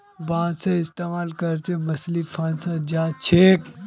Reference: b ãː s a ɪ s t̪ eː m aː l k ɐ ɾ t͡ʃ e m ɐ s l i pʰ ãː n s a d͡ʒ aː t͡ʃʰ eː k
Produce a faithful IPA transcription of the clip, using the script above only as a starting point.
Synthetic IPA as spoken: b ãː s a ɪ s t̪ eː m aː l k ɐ ɾ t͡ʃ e m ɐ s l i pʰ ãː n s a d͡ʒ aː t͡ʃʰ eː k